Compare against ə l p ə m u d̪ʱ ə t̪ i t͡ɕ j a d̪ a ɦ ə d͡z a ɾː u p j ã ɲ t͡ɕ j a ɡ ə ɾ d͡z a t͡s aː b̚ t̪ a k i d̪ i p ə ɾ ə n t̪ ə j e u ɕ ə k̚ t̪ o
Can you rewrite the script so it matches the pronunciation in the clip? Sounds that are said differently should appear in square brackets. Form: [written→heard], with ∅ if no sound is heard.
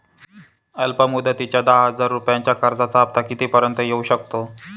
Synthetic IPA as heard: ə l p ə m u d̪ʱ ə t̪ i t͡ɕ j a d̪ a ɦ ə d͡z a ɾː u p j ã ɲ t͡ɕ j a [ɡ→k] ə ɾ d͡z a t͡s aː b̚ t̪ a k i [d̪→t̪] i p ə ɾ ə n t̪ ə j e u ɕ ə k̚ t̪ o